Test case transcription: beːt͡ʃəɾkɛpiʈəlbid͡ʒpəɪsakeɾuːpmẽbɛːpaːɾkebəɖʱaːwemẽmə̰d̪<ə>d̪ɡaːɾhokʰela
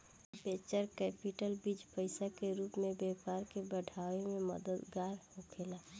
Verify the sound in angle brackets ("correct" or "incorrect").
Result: correct